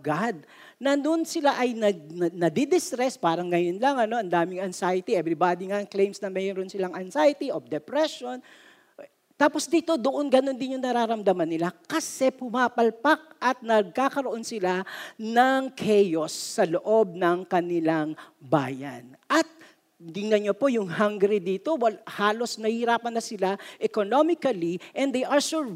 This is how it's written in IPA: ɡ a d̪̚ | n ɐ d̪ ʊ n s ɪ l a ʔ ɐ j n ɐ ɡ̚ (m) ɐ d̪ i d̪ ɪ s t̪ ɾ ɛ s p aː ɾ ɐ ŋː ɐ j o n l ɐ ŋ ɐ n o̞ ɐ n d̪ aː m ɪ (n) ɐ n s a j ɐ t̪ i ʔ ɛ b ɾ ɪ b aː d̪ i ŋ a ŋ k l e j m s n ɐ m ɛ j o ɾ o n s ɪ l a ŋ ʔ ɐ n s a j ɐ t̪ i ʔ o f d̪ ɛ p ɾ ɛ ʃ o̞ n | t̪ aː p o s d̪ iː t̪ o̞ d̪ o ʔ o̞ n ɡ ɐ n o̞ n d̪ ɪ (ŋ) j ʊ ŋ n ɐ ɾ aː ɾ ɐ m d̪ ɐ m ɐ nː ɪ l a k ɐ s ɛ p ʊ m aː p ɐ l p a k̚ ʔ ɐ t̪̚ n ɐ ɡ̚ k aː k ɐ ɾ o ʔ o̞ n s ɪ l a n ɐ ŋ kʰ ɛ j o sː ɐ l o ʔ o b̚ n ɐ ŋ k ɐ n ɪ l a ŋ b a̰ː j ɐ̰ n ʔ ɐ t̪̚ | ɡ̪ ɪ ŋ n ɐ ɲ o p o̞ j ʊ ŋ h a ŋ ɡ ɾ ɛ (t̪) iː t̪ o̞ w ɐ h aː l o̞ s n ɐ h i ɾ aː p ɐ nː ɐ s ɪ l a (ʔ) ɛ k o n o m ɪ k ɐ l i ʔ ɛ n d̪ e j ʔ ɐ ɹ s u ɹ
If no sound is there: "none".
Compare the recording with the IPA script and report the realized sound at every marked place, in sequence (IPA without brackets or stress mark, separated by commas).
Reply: n, ŋ, n, d̪, ʔ